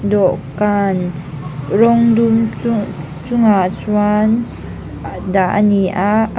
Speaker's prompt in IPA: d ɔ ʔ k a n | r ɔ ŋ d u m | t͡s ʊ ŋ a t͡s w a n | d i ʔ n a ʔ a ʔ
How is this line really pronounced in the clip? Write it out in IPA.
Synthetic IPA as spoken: d ɔ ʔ k a n | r ɔ ŋ d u m | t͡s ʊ ŋ a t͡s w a n | d a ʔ n i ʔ a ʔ